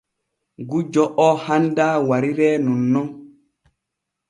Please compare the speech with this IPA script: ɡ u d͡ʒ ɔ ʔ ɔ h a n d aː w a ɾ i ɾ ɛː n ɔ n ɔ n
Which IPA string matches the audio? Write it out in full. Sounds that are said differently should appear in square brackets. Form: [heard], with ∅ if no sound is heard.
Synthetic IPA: ɡ u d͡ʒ ɔ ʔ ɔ h a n d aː w a ɾ i ɾ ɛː n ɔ [nː] ɔ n